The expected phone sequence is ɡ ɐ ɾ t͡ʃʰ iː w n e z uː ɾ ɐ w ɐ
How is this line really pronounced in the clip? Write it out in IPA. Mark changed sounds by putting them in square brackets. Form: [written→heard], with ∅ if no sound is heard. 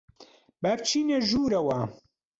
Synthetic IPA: [ɡ→b] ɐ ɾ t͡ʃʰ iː [w→∅] n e [z→ʒ] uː ɾ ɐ w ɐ